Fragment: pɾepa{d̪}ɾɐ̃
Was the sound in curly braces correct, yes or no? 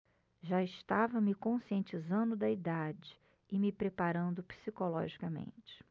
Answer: no